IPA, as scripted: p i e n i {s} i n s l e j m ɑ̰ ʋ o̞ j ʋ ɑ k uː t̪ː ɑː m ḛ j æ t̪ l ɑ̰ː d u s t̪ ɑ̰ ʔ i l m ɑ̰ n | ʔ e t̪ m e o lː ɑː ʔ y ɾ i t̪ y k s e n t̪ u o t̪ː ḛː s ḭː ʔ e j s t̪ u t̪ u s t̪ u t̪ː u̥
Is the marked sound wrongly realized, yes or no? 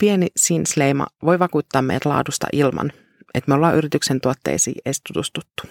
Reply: no